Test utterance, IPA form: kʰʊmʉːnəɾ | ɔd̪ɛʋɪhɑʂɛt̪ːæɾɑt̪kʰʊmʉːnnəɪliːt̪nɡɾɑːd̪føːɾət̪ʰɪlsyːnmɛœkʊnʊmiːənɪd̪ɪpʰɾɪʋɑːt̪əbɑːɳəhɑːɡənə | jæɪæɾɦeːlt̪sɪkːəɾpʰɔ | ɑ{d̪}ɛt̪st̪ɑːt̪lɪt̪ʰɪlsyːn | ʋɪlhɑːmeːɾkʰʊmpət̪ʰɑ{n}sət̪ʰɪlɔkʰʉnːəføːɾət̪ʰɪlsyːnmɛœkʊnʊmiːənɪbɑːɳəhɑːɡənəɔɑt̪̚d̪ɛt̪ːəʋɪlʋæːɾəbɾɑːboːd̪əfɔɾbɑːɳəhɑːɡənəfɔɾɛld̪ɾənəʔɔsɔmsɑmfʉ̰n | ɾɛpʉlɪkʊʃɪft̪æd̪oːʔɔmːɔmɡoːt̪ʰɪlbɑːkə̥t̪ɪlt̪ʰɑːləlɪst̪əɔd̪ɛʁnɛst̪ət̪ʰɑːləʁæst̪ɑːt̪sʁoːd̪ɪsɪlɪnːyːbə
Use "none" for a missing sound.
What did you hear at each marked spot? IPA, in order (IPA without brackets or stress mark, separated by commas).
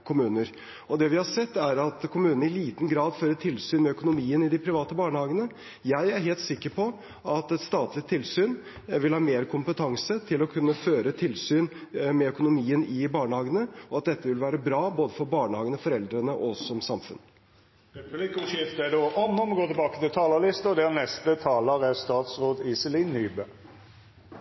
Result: t̪, ŋ